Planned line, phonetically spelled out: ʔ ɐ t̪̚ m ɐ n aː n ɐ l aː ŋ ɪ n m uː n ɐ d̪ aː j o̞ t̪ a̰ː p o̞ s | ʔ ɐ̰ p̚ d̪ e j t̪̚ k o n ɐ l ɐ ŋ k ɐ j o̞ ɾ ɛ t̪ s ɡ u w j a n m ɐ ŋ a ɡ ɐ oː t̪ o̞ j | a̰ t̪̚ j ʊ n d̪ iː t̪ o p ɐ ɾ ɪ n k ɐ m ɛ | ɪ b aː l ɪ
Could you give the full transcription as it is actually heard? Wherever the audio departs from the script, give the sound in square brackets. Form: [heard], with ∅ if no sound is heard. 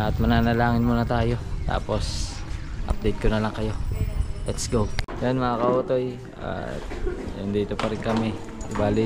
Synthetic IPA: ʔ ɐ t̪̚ m ɐ n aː n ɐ l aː ŋ ɪ n m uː n ɐ [t̪] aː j o̞ t̪ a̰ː p o̞ s | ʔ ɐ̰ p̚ d̪ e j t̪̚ k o n ɐ l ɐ ŋ k ɐ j o̞ [l] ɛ t̪ s ɡ [o] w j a n m ɐ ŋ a [k] ɐ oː t̪ o̞ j | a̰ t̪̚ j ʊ n d̪ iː t̪ o p ɐ ɾ ɪ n k ɐ m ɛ | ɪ b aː l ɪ